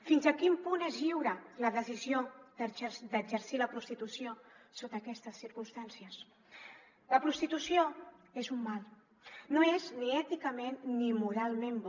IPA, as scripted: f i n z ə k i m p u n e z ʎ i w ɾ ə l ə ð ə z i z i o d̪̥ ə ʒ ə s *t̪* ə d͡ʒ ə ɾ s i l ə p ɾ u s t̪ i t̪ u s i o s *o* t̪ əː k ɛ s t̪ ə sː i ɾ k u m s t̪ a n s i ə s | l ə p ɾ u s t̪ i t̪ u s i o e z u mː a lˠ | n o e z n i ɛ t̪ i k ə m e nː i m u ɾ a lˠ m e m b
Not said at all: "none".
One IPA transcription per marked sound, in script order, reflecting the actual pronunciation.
d̪, o

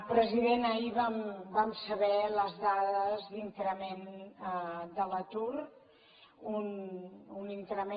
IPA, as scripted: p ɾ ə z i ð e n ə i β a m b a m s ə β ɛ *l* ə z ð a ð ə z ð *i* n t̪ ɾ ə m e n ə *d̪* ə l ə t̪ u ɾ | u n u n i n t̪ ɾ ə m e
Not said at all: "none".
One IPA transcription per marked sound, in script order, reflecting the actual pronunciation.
l, i, d̪

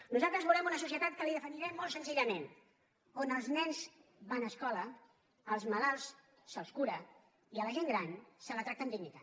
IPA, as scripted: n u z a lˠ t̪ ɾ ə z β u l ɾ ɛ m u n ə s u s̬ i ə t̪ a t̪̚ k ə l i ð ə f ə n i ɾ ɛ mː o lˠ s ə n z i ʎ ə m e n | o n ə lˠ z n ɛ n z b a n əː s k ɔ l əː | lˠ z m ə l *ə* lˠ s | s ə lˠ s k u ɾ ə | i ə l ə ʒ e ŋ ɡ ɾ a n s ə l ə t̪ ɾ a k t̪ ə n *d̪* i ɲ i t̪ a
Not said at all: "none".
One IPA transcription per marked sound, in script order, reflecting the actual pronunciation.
a, d̪

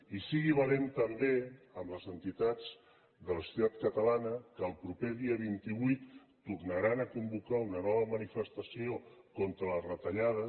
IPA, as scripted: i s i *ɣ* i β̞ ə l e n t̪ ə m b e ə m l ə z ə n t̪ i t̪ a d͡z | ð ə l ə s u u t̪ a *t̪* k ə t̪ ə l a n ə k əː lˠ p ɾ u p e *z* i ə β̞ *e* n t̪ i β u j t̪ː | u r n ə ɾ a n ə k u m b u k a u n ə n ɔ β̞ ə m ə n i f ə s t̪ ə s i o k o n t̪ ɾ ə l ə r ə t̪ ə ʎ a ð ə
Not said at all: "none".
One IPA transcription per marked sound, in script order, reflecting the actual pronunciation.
ɣ, t̪, ð, i

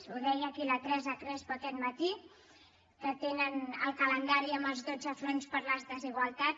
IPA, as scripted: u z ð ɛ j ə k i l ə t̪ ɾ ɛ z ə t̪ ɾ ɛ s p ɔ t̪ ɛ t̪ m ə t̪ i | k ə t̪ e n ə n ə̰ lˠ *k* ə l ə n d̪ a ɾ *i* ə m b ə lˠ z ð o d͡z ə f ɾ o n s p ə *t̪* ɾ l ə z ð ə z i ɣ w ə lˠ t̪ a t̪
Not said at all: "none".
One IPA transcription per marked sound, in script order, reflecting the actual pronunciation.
k, i, none

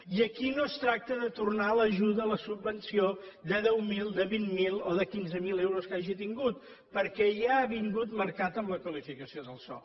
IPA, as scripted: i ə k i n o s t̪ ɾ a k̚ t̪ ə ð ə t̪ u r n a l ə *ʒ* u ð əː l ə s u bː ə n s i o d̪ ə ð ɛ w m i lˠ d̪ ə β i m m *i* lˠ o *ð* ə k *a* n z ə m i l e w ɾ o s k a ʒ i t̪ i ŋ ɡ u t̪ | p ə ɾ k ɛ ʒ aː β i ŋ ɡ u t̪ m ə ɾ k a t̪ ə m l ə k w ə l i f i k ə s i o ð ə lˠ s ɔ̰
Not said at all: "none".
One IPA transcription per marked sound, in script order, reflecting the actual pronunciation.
ʒ, i, ð, i

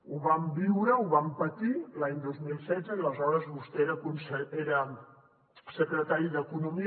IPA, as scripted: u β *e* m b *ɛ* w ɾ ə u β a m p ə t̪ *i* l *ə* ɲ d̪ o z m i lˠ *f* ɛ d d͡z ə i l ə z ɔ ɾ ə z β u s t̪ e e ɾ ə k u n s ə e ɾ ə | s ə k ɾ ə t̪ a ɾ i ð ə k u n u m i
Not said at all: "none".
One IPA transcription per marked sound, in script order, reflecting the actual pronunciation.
a, i, i, a, s

